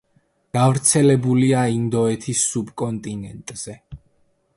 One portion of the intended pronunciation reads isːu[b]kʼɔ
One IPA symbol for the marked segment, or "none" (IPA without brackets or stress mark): b